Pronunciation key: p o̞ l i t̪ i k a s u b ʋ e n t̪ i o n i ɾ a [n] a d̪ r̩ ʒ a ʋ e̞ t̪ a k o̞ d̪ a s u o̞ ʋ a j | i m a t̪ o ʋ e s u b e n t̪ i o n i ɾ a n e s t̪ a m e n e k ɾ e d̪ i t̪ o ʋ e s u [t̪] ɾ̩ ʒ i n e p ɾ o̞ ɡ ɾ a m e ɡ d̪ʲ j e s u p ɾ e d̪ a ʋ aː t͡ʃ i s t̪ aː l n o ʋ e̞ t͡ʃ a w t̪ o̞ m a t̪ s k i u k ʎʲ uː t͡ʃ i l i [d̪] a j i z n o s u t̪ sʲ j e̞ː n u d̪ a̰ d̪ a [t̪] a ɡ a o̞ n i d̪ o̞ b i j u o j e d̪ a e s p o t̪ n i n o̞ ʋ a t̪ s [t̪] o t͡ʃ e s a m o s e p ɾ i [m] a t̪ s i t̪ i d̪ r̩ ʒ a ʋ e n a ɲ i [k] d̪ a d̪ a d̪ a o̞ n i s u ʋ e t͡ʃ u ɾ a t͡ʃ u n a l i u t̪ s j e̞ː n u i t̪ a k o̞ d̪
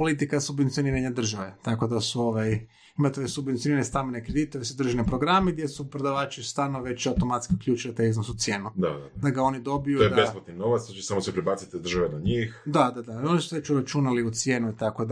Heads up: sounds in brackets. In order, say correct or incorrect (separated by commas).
incorrect, incorrect, incorrect, incorrect, correct, incorrect, incorrect